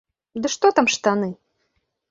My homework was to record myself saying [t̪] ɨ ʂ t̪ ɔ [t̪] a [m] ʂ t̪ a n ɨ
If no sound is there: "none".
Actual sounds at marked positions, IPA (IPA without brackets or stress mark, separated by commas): d̪, t̪, m